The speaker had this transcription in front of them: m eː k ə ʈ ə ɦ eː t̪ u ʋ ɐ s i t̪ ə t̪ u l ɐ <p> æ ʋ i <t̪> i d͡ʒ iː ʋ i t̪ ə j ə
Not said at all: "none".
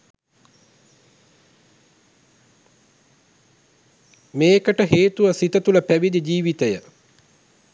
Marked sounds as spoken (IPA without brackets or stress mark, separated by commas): p, d̪